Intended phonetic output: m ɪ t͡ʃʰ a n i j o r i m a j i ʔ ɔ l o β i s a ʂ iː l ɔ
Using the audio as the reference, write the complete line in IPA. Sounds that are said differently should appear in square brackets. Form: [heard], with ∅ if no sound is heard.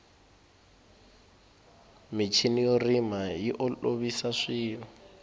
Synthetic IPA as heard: m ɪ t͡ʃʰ [i] n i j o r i m a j i ʔ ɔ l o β i s a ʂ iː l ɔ